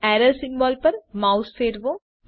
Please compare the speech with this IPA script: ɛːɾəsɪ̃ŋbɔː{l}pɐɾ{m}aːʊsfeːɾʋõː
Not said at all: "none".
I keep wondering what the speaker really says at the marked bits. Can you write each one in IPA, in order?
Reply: l, m

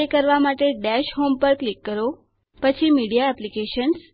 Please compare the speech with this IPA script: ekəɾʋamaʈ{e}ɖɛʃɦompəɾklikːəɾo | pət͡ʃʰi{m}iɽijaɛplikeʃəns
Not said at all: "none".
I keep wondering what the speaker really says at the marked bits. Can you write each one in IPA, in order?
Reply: e, m

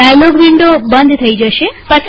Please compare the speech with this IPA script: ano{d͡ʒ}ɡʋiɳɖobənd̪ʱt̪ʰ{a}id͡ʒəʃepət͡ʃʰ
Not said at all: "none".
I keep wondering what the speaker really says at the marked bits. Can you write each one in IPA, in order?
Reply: none, ə

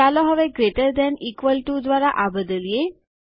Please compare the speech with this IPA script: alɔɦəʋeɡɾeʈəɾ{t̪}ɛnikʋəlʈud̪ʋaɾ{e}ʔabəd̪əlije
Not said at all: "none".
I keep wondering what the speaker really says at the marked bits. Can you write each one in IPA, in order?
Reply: d̪, a

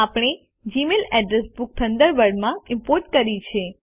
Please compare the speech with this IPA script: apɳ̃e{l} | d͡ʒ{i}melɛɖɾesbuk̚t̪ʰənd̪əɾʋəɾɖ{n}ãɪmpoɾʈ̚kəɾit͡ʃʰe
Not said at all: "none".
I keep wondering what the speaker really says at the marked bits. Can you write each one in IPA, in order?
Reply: none, i, m

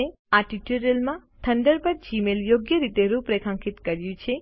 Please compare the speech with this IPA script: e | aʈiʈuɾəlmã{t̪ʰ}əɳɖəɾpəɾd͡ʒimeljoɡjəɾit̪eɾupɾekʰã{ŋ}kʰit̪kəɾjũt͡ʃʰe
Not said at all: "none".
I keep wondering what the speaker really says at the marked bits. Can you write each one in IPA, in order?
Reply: t̪ʰ, ŋ

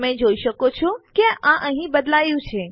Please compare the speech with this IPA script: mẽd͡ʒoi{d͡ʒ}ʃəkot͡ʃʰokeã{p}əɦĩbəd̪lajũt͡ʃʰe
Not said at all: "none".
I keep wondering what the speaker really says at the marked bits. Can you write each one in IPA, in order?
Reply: none, ʔ

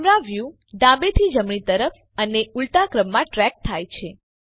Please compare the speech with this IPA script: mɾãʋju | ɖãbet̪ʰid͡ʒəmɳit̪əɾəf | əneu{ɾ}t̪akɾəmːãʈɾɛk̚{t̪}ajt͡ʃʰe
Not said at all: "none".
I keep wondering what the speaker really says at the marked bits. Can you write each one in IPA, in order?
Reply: l, t̪ʰ

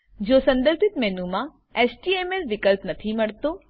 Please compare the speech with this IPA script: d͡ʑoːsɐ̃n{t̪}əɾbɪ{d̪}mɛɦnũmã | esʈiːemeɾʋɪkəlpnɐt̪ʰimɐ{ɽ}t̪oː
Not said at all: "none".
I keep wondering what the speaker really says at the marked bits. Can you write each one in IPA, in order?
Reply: d̪, t̪, ɽ

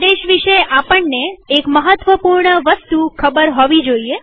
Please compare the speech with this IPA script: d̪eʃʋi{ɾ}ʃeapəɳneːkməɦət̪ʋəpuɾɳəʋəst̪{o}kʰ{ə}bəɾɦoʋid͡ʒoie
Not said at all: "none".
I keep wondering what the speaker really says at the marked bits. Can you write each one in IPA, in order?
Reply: none, u, ə

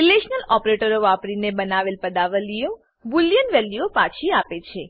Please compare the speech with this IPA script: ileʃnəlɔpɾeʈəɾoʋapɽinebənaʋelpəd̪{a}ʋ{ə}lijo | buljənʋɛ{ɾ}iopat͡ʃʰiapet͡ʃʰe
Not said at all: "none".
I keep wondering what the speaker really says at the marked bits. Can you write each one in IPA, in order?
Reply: a, ə, l

